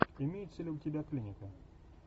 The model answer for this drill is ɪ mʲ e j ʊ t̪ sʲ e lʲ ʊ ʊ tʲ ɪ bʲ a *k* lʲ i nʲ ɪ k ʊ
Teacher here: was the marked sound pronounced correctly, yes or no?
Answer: yes